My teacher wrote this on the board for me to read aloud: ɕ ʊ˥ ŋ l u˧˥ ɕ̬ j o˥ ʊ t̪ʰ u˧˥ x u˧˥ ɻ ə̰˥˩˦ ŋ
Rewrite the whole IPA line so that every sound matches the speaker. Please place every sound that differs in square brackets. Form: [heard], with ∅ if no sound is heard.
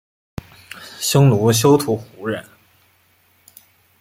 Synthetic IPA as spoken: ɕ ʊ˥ ŋ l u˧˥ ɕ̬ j o˥ ʊ t̪ʰ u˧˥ x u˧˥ ɻ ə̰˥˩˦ [n]